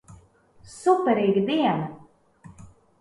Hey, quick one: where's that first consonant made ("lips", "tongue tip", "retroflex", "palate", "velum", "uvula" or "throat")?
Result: tongue tip